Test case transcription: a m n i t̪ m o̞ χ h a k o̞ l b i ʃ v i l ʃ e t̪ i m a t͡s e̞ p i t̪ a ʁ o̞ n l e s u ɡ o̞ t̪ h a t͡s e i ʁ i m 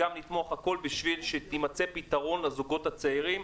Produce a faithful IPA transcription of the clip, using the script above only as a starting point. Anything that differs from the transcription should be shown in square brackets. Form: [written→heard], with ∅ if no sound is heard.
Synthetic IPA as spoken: a m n i t̪ m o̞ χ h a k o̞ l b i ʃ v i l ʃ e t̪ i m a t͡s e̞ p i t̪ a ʁ o̞ n l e [s→z] u ɡ o̞ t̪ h a t͡s e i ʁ i m

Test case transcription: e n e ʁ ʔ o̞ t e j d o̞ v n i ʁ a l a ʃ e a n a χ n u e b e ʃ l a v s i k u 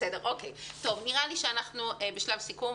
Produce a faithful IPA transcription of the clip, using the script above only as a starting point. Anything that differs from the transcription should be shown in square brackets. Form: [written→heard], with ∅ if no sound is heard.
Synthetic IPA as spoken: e [n→d] e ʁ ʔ o̞ [t→k] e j [d→t] o̞ v n i ʁ a l [a→i] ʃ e a n a χ n u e b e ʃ l a v s i k u

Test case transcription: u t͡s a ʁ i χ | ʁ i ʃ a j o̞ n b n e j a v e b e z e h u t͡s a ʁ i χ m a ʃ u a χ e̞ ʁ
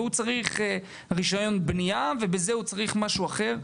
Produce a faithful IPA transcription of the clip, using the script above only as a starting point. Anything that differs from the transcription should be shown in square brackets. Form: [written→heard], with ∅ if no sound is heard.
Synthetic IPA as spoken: u t͡s a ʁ i χ | ʁ i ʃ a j o̞ n b n [e→i] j a v e b e z e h u t͡s a ʁ i χ m a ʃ u a χ e̞ ʁ

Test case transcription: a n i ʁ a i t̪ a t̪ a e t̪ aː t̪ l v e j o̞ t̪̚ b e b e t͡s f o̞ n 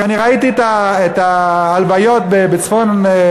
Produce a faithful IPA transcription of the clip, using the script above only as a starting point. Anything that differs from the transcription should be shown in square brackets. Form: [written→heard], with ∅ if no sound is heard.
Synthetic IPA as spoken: a n i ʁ a i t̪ [a→i] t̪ a e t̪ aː [t̪→∅] l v [e→a] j o̞ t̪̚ b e b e t͡s f o̞ n

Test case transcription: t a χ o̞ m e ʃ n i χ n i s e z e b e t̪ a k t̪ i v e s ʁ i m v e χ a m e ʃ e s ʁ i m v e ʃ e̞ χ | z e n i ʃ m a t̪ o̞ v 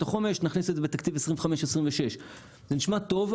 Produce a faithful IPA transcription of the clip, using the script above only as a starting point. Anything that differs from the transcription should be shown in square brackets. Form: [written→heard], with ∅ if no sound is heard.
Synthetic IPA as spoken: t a χ o̞ m e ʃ n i χ n i s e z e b e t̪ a k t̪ i v e s ʁ i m v e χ a m e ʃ e s ʁ i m v e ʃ e̞ [χ→ʃ] | z e n i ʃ m a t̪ o̞ v

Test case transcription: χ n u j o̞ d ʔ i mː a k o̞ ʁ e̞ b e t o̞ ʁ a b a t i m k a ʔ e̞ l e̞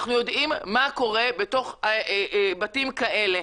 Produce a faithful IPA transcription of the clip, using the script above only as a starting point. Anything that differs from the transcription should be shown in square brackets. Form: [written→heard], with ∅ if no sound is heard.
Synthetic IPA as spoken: χ n u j o̞ d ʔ i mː a k o̞ ʁ e̞ b e t o̞ [ʁ→χ] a b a t i m k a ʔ e̞ l e̞

